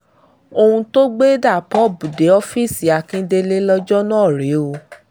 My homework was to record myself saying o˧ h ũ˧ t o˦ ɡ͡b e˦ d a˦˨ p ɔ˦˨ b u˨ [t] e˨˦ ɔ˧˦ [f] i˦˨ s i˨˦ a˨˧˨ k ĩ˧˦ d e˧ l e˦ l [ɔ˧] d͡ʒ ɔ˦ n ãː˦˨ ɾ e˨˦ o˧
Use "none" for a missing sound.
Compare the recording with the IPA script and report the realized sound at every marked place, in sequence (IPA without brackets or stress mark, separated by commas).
d, f, ɔ˧